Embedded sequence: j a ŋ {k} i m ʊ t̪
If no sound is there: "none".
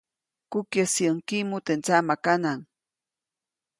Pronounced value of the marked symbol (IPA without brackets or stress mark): k